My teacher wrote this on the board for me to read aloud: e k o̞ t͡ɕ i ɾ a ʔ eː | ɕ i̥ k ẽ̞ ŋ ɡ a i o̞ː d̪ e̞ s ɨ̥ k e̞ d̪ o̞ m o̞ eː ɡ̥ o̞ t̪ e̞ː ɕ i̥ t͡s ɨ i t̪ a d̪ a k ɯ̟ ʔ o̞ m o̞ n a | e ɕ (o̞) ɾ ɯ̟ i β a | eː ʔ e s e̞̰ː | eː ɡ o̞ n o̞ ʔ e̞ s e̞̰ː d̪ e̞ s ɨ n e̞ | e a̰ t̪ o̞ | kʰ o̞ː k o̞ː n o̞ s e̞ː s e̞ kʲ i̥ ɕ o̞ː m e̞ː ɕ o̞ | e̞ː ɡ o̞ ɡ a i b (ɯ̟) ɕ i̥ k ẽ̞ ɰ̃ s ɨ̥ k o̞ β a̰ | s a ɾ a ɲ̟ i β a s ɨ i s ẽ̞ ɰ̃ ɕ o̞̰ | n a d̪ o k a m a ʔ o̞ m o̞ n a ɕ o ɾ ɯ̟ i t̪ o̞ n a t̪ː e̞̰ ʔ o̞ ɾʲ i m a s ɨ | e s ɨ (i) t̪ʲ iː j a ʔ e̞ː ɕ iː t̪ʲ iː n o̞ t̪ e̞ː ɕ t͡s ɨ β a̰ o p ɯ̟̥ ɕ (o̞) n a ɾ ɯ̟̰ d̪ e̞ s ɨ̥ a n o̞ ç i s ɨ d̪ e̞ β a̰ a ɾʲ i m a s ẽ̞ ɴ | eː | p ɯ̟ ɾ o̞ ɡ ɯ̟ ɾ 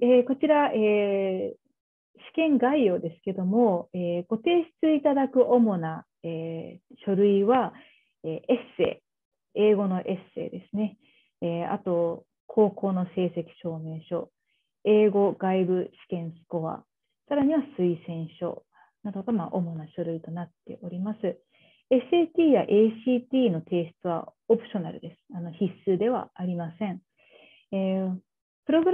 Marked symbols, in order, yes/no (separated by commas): yes, yes, no, yes